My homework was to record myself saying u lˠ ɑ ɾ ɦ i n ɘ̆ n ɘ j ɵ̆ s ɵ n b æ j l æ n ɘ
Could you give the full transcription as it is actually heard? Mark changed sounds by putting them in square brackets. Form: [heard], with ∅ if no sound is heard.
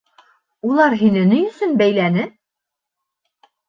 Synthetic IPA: u lˠ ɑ ɾ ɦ i n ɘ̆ n ɘ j ɵ̆ s ɵ n b æ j l æ n ɘ